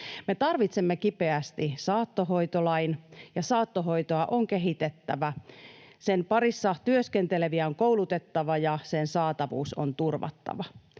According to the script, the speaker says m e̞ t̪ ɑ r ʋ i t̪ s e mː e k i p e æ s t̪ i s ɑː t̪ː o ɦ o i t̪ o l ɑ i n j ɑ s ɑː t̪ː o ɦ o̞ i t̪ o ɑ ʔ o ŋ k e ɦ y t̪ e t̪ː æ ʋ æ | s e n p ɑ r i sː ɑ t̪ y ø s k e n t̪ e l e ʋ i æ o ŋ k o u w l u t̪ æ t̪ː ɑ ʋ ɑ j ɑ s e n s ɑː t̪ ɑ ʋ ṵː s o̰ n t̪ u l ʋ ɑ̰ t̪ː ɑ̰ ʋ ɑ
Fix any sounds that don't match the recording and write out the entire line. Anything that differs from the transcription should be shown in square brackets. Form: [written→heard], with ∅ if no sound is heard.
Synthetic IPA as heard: m e̞ t̪ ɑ r ʋ i t̪ s e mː e k i p e æ s t̪ i s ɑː t̪ː o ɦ o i t̪ o l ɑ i n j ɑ s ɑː t̪ː o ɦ o̞ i t̪ o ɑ ʔ o ŋ k e ɦ [y→i] t̪ e t̪ː æ ʋ æ | s e n p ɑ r i sː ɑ t̪ y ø s k e n t̪ e l e ʋ i æ o ŋ k o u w l u t̪ [æ→e] t̪ː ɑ ʋ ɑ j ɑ s e n s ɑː t̪ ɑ ʋ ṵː s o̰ n t̪ u [l→r] ʋ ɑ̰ t̪ː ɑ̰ ʋ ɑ

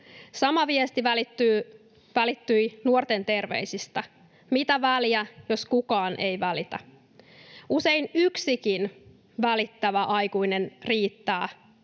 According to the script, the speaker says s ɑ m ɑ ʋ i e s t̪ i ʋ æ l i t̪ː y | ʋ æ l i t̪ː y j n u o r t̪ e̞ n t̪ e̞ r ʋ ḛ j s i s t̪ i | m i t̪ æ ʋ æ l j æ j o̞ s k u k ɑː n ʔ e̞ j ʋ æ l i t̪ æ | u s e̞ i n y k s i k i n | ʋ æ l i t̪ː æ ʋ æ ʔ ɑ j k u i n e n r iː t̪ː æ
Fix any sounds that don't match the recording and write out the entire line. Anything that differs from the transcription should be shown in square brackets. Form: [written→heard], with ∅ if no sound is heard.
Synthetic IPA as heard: s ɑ m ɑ ʋ i e s t̪ i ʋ æ l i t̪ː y | ʋ æ l i t̪ː y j n u o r t̪ e̞ n t̪ e̞ r ʋ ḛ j s i s t̪ [i→æ] | m i t̪ æ ʋ æ l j æ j o̞ s k u k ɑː n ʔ e̞ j ʋ æ l i t̪ æ | u s e̞ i n y k s i k i n | ʋ æ l i t̪ː æ ʋ æ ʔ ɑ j k u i n e n r iː t̪ː [æ→æː]

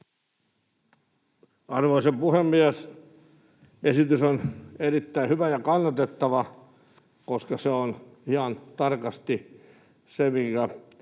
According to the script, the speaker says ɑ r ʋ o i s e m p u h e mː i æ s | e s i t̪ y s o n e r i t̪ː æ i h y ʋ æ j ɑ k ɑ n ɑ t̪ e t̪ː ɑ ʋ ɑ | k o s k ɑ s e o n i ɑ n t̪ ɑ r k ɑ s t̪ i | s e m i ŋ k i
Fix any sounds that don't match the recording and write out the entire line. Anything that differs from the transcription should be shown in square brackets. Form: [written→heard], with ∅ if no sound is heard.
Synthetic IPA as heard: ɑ r ʋ o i s e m p u h e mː i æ s | e s i t̪ y s o n e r i t̪ː æ i h y ʋ æ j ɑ k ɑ [n→nː] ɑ t̪ e t̪ː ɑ ʋ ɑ | k o s k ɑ s e o n i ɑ n t̪ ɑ r k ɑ s t̪ i | s e m i ŋ k [i→æ]

